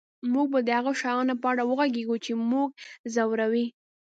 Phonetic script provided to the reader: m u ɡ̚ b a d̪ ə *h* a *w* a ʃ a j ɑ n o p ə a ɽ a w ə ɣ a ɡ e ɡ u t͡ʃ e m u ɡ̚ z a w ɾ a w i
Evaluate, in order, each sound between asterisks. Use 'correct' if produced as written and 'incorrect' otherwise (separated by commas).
correct, incorrect